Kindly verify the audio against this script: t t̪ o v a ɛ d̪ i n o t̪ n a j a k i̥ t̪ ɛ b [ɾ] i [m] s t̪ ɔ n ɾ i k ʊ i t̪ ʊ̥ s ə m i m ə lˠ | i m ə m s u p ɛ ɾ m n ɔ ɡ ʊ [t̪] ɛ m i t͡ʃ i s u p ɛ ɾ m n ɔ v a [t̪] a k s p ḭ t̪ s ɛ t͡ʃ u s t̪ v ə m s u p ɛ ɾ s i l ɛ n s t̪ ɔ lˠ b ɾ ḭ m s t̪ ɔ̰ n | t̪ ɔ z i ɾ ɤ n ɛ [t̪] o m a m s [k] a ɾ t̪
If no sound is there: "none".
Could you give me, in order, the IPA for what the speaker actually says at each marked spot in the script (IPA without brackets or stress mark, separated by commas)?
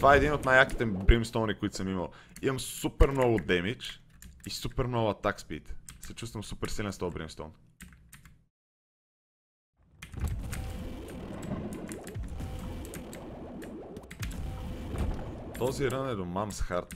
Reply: ɾ, m, d̪, t̪, d̪, x